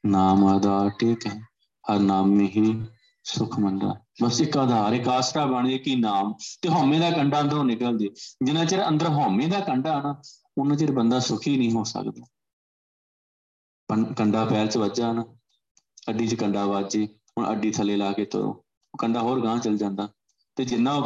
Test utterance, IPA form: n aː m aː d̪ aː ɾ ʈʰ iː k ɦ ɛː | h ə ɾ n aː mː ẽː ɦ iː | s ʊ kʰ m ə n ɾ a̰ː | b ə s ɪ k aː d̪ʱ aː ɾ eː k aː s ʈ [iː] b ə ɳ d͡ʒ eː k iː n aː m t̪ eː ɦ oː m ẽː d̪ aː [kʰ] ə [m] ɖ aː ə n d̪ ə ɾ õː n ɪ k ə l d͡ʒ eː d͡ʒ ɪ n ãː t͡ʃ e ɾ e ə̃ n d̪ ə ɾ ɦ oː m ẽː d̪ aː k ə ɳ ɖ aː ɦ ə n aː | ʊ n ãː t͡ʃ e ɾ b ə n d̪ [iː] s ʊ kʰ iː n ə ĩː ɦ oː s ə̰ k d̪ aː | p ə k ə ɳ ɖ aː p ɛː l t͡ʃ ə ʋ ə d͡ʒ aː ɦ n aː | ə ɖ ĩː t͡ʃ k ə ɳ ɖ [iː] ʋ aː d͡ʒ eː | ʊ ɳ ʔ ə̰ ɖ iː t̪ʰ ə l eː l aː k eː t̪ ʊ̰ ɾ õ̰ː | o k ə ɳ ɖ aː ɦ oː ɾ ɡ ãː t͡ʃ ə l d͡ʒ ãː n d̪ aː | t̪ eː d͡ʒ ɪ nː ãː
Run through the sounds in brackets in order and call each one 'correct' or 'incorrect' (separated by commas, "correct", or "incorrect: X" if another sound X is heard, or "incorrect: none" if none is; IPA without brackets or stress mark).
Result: incorrect: aː, incorrect: k, incorrect: ɳ, incorrect: aː, incorrect: aː